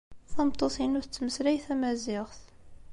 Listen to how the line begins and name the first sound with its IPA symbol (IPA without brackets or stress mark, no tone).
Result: θ